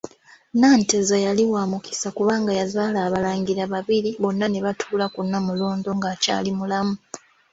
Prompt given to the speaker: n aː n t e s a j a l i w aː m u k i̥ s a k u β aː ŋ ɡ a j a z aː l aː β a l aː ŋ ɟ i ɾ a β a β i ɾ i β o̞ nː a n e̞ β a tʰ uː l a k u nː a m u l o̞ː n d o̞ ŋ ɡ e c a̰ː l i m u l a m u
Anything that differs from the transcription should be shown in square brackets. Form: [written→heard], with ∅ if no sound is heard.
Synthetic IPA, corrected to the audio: n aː n t e [s→z] a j a l i w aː m u k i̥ s a k u β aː ŋ ɡ a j a z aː l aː β a l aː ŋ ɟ i ɾ a β a β i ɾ i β o̞ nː a n e̞ β a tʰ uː l a k u nː a m u l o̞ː n d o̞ ŋ ɡ [e→a] c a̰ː l i m u l a m u